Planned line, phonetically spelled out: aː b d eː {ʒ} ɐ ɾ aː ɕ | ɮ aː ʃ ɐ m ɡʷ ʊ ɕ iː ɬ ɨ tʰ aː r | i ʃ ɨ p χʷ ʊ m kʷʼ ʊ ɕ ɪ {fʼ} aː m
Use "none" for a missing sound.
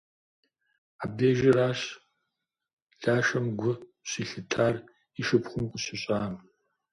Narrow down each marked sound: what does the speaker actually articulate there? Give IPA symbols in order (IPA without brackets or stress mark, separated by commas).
ʒ, ɕʼ